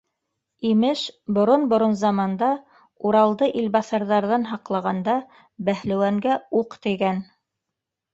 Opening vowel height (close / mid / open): close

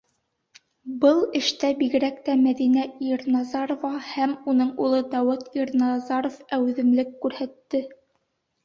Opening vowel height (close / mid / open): mid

